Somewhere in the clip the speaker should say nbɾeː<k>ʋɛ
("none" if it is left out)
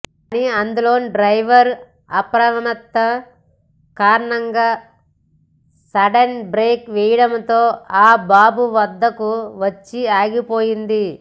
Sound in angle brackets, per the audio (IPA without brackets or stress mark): k